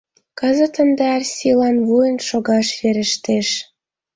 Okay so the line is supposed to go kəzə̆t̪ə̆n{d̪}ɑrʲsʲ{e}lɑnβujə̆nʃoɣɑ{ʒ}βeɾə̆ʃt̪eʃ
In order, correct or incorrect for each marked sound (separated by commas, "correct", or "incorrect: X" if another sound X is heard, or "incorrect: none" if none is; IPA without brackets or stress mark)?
correct, incorrect: i, incorrect: ʃ